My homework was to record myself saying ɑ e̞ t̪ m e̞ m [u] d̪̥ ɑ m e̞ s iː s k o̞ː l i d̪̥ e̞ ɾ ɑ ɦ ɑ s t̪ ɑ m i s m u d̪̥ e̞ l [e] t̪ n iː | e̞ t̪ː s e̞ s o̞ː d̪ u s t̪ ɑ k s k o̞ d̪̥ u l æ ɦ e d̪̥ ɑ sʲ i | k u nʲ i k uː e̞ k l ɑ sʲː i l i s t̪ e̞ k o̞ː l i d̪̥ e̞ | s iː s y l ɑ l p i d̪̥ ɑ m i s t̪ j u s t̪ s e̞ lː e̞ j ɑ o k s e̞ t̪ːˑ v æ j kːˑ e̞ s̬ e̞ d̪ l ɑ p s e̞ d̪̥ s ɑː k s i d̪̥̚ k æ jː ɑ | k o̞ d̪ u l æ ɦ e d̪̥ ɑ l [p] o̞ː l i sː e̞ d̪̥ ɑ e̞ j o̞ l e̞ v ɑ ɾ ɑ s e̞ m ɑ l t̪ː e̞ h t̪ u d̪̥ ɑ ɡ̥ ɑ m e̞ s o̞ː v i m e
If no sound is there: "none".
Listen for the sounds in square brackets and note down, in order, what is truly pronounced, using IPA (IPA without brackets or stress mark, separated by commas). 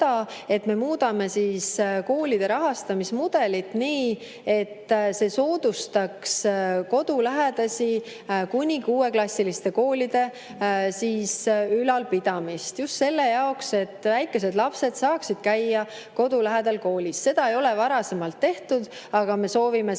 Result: uː, i, k